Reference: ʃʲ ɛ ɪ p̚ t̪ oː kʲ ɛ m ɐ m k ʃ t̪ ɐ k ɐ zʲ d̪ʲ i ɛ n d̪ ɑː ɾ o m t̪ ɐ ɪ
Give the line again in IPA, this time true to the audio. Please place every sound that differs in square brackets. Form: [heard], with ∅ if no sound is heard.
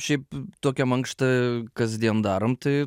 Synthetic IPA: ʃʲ ɛ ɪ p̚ t̪ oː kʲ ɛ m ɐ [ŋ] k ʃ t̪ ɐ k ɐ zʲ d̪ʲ i ɛ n d̪ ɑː ɾ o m t̪ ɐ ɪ